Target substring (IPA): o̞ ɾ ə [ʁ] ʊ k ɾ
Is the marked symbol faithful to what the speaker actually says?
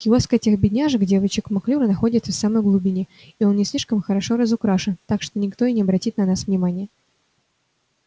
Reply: no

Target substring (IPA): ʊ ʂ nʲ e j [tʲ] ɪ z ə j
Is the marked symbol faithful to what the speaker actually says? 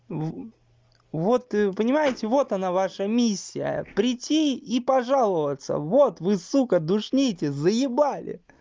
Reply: yes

